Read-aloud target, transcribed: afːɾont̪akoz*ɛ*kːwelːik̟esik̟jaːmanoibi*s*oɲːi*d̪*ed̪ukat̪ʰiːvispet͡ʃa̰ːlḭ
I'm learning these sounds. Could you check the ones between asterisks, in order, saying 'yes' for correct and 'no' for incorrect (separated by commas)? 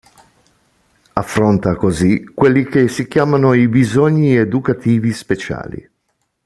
no, no, no